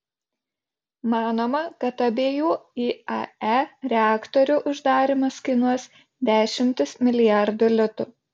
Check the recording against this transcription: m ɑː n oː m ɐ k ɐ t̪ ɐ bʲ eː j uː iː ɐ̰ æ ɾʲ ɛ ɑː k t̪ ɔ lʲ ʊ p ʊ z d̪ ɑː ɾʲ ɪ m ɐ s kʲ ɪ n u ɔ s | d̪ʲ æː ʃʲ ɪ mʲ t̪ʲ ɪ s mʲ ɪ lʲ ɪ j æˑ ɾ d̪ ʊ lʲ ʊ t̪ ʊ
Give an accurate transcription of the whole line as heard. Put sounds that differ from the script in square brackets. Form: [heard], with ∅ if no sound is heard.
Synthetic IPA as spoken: m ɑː n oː m ɐ k ɐ t̪ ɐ bʲ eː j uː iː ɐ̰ æ ɾʲ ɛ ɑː k t̪ ɔ [ɾʲ] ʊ [ʔ] ʊ [ʒ] d̪ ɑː ɾʲ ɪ m ɐ s kʲ ɪ n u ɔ s | d̪ʲ æː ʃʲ ɪ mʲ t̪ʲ ɪ s mʲ ɪ lʲ ɪ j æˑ ɾ d̪ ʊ lʲ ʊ t̪ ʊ